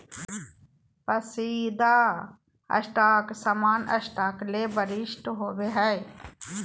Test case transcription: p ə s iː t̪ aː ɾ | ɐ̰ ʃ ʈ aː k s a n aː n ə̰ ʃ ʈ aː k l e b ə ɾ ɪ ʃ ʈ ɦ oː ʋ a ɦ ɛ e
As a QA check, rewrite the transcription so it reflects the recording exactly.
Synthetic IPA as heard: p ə s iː d̪ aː | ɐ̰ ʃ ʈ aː k s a m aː n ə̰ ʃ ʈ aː k l e b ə ɾ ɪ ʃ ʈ ɦ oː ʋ e ɦ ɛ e